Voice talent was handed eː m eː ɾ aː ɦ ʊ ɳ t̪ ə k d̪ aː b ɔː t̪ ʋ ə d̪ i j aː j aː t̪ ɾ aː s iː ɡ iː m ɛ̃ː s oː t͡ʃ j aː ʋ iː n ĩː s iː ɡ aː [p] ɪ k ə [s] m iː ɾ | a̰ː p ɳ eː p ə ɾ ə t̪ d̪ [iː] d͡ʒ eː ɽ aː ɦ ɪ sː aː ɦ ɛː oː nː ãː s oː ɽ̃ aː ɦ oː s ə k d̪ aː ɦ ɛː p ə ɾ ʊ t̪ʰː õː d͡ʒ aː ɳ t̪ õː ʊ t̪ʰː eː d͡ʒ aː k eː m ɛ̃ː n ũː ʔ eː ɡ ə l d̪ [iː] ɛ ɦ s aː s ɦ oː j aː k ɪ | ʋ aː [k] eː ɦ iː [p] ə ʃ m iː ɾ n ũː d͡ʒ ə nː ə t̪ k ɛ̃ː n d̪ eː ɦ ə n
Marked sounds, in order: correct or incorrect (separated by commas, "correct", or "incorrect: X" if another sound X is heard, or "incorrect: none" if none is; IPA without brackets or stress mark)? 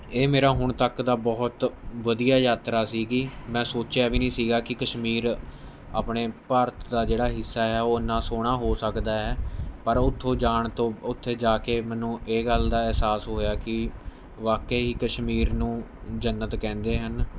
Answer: incorrect: k, incorrect: ʃ, incorrect: aː, incorrect: aː, correct, incorrect: k